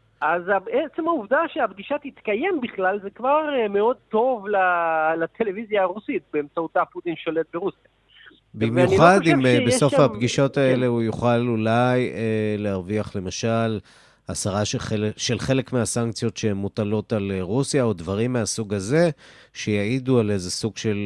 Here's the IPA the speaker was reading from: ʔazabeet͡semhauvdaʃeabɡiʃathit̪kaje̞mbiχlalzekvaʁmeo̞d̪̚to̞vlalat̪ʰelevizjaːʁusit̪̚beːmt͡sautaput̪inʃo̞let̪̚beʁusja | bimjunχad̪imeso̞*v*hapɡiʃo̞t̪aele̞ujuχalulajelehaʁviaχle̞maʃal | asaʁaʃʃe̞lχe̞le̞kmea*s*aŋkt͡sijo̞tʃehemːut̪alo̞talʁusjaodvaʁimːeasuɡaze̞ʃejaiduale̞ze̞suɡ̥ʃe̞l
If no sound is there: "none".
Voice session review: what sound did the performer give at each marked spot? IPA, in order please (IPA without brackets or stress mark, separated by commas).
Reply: f, s